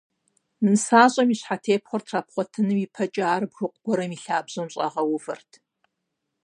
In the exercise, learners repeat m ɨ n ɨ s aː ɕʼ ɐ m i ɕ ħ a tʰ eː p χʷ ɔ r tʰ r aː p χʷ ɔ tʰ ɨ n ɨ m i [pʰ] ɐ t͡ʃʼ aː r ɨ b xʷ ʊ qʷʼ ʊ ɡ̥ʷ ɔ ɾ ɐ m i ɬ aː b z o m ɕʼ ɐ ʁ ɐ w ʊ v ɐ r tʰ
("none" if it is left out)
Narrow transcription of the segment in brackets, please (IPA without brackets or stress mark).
pʰ